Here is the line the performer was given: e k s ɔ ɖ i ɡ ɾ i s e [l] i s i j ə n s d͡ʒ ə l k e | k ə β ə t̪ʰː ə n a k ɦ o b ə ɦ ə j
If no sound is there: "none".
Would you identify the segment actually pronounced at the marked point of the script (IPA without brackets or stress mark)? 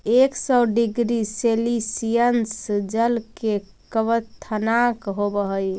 l